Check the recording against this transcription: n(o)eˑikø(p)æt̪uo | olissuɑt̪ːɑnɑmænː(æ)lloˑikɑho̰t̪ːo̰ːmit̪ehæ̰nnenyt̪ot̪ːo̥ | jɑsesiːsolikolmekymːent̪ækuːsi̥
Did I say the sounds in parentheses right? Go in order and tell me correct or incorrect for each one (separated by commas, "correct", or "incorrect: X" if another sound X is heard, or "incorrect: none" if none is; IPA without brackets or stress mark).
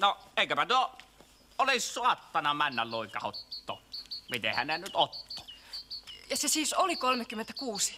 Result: correct, correct, correct